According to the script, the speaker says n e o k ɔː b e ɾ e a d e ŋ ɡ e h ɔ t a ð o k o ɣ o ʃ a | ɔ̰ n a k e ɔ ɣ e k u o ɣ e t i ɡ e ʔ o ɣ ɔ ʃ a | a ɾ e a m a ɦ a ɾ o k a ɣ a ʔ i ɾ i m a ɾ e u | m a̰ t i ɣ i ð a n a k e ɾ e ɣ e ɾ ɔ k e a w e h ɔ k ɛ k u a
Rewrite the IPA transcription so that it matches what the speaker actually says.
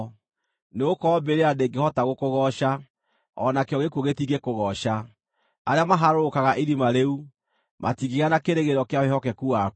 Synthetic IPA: n e o k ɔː b e ɾ e a d e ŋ ɡ e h ɔ t a ɣ o k o ɣ ɔ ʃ a | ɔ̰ n a k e ɔ ɣ e k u o ɣ e t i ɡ e k o ɣ ɔ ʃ a | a ɾ e a m a ɦ a ɾ o k a ɣ a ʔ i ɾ i m a ɾ e u | m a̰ t i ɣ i ɣ a n a k e ɾ e ɣ e ɾ ɔ k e a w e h ɔ k ɛ k u a